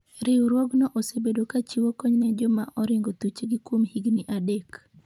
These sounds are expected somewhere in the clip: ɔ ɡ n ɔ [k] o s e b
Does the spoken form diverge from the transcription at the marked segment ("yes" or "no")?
yes